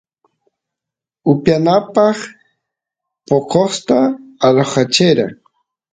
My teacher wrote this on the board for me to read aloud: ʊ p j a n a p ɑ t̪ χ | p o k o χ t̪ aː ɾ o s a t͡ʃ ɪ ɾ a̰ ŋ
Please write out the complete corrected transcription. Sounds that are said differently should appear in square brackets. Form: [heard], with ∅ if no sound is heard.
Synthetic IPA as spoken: ʊ p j a n a p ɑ [∅] χ | p o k o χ t̪ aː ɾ o [χ] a t͡ʃ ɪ ɾ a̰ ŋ